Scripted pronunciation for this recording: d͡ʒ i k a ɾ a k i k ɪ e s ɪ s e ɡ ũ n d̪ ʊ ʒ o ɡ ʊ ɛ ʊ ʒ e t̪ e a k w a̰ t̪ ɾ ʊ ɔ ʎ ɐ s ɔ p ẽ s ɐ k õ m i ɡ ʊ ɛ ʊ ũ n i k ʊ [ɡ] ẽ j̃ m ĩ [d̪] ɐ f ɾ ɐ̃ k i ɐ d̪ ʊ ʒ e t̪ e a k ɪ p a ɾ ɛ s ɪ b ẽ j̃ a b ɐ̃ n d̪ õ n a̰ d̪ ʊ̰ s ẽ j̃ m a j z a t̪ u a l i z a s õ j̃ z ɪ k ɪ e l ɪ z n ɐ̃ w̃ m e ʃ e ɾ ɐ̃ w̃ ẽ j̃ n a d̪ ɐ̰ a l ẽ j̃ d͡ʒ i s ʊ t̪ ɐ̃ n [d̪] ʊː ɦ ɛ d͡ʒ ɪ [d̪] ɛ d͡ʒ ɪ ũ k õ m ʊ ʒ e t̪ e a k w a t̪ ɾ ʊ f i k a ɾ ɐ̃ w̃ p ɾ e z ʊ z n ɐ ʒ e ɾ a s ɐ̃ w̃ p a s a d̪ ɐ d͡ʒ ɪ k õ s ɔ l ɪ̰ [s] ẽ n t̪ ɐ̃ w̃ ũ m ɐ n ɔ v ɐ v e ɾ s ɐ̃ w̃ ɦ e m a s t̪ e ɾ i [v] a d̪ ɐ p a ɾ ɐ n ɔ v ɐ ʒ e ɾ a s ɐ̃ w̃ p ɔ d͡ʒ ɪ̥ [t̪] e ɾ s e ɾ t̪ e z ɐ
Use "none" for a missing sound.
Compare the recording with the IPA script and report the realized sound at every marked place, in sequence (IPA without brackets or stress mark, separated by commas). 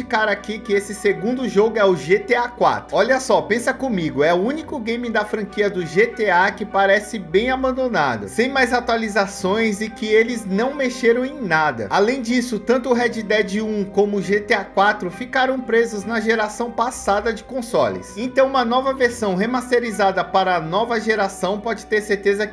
ɡ, d̪, t̪, d̪, s, z, t̪